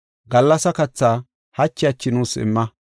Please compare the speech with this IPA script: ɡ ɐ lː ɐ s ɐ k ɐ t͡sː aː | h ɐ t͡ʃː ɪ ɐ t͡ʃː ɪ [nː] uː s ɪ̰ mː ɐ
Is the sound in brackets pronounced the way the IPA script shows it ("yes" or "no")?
no